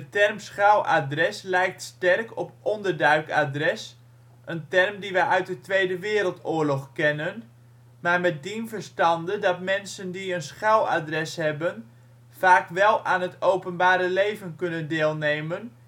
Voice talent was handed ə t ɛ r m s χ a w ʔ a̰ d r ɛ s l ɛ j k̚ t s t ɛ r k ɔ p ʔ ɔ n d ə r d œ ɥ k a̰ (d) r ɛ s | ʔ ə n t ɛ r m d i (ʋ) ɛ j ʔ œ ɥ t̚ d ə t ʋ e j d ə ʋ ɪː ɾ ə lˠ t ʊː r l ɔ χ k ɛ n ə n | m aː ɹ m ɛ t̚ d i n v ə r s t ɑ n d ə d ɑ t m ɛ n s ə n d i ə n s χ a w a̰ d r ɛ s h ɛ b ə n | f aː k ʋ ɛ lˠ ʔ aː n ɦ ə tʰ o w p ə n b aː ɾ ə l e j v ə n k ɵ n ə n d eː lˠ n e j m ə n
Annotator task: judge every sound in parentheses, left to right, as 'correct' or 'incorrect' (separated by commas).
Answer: correct, correct